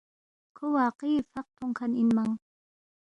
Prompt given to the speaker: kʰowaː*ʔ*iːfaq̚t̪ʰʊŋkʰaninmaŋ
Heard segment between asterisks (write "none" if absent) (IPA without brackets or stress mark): q